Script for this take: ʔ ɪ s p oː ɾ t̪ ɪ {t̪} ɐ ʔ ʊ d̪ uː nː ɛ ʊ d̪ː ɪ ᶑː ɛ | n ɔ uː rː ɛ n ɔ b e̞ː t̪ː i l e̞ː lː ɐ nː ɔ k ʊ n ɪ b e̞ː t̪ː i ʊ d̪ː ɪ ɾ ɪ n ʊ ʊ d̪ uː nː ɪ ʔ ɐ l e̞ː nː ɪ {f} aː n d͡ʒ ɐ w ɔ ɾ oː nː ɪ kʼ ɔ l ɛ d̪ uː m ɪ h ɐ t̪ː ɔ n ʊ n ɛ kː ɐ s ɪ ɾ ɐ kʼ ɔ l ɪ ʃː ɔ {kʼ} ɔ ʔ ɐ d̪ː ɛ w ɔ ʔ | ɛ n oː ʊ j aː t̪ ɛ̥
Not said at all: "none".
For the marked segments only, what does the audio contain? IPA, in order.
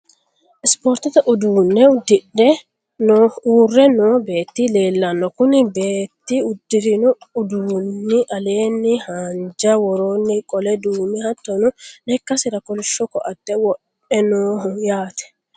t̪, h, k

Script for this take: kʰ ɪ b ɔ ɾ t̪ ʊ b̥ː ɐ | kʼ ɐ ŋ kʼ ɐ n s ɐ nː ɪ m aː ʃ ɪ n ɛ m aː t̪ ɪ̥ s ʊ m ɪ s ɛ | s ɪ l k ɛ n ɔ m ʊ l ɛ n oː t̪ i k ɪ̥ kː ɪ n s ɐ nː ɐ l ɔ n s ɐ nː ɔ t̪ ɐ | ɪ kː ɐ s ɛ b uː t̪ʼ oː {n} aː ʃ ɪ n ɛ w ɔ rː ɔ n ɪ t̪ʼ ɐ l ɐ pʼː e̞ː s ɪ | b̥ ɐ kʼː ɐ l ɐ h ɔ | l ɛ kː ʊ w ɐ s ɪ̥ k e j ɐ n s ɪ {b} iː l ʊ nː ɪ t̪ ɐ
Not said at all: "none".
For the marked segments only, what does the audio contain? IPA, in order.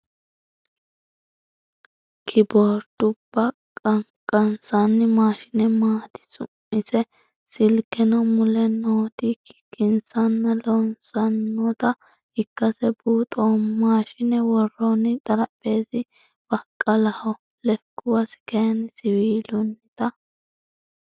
m, w

